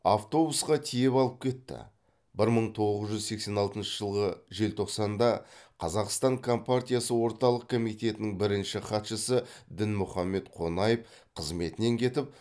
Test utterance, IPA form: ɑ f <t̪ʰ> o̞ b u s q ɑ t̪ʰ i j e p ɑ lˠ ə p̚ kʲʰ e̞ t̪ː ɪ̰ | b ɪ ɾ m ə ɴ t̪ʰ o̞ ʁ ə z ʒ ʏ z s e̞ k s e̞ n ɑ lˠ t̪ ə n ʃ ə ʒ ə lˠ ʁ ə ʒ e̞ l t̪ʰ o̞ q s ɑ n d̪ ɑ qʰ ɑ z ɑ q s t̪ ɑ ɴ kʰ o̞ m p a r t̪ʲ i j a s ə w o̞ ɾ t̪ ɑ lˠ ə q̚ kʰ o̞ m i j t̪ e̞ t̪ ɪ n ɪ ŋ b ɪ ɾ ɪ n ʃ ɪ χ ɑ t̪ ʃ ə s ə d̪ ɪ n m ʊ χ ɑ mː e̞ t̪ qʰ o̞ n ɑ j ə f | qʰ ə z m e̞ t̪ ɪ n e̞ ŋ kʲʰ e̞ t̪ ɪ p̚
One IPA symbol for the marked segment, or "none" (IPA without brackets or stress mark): t̪